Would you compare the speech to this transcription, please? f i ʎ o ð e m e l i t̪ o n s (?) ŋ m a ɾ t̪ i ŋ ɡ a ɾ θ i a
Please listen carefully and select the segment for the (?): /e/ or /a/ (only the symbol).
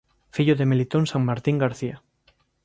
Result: a